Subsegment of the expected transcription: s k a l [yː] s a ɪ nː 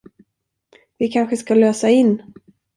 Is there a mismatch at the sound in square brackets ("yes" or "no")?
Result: yes